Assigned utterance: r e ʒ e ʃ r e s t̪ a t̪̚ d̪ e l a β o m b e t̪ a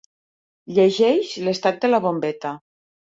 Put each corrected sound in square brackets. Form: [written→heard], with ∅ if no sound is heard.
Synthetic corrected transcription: [r→ʎ] e ʒ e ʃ [r→l] e s t̪ a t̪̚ d̪ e l a β o m b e t̪ a